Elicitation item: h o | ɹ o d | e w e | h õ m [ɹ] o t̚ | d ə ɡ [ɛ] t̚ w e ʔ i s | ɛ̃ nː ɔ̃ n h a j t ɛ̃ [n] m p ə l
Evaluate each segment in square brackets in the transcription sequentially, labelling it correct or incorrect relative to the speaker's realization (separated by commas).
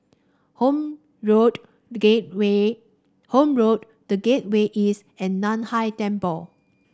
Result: correct, incorrect, incorrect